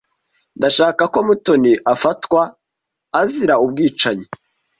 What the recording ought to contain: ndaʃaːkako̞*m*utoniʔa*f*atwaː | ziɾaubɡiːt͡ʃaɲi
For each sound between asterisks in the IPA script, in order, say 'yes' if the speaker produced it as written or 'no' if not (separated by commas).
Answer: yes, yes